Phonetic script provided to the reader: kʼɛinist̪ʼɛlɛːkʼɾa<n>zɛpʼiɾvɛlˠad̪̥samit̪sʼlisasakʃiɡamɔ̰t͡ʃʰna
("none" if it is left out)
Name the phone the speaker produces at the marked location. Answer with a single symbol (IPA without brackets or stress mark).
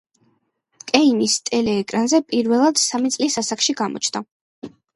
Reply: n